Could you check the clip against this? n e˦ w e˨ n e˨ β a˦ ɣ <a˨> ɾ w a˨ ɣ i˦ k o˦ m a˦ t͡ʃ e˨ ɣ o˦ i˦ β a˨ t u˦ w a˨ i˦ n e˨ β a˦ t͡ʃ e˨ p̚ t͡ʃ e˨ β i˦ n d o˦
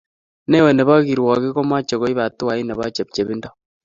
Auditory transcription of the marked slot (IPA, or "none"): i˨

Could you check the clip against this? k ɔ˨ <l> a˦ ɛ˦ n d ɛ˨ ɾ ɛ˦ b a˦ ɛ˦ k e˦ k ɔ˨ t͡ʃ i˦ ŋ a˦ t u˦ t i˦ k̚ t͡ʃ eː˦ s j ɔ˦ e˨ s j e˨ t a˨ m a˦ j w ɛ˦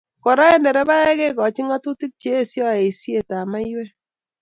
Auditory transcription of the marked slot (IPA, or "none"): ɾ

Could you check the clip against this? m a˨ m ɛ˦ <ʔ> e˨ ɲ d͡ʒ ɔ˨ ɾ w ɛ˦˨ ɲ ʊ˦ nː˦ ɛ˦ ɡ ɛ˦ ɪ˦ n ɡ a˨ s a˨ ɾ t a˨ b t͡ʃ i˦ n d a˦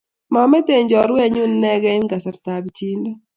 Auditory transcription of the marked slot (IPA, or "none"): t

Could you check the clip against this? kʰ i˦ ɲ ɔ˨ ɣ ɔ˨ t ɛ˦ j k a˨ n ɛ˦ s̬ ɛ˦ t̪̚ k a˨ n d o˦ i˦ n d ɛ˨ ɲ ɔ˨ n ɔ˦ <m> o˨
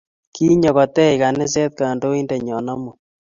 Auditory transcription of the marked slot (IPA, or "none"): m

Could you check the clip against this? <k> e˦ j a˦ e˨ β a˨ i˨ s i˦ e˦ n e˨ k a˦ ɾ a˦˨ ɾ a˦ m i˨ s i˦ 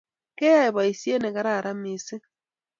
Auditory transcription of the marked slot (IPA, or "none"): k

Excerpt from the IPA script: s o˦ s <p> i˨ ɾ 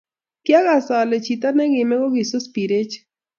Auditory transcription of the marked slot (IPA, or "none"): p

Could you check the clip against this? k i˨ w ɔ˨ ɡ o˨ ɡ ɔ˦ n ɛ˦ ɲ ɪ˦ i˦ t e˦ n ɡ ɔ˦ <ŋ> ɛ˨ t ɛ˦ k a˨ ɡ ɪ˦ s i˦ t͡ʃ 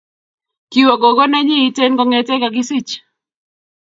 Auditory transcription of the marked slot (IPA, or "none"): ŋ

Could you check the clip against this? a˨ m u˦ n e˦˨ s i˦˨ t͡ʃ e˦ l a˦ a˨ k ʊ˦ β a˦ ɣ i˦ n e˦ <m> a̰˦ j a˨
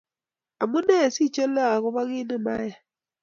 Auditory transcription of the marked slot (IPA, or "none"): m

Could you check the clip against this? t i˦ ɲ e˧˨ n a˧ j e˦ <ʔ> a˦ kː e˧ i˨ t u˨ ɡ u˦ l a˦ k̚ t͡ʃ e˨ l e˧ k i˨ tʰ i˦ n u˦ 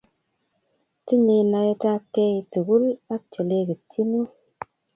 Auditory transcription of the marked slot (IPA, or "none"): t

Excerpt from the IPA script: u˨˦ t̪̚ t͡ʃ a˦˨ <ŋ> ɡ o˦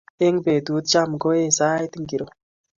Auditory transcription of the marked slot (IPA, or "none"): m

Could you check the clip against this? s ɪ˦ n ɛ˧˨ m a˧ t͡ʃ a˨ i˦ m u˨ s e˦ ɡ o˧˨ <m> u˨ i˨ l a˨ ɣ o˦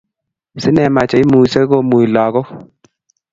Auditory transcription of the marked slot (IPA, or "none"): m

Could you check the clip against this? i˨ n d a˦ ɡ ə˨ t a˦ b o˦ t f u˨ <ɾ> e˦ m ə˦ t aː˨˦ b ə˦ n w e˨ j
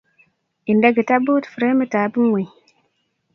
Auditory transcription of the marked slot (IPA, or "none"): ɾ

